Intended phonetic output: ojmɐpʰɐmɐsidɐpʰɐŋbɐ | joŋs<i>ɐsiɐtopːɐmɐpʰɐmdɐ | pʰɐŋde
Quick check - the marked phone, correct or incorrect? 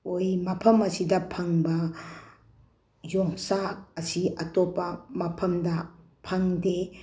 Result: incorrect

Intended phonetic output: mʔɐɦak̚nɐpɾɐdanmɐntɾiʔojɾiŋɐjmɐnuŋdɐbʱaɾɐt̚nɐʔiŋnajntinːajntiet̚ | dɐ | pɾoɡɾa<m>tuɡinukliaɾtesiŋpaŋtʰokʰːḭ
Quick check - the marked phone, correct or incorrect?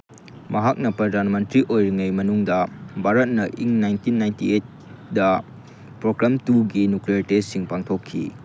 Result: correct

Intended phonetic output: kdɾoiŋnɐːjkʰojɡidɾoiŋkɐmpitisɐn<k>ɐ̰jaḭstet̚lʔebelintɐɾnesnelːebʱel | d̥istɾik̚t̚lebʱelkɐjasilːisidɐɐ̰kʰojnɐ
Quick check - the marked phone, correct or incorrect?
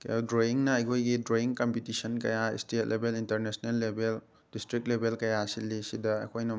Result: correct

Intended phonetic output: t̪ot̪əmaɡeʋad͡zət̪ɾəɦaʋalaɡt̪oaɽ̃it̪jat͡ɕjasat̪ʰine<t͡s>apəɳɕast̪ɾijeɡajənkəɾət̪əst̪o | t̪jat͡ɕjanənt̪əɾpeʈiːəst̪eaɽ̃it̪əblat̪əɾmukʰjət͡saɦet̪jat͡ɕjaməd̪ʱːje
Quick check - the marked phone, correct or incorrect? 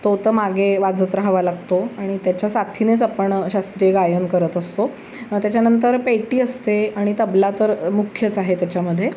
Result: correct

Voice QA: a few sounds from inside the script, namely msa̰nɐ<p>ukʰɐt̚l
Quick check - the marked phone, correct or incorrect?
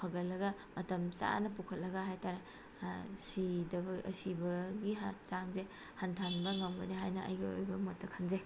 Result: correct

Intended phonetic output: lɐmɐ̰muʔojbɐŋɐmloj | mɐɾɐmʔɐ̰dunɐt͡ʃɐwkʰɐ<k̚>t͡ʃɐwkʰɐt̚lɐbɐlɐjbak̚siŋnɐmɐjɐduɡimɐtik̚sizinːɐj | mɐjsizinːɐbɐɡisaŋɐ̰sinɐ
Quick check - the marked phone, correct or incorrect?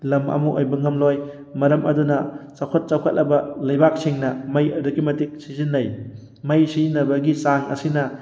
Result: incorrect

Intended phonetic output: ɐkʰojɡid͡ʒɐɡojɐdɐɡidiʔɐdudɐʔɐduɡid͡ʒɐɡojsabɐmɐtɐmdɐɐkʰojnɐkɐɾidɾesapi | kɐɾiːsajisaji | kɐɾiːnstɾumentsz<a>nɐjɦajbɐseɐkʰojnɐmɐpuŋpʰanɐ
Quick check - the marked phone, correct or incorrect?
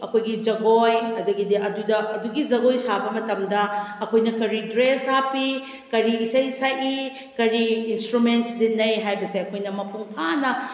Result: incorrect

